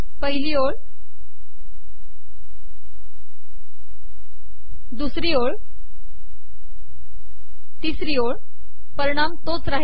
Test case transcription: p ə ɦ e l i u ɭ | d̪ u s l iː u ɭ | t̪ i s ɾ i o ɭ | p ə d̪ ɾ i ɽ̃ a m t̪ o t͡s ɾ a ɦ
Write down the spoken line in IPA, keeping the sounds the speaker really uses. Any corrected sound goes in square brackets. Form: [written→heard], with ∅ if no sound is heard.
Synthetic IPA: p ə ɦ [e→i] l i [u→o] ɭ | d̪ u s [l→ɾ] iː [u→o] ɭ | t̪ i s ɾ i o ɭ | p ə [d̪→∅] ɾ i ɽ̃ a m t̪ o t͡s ɾ a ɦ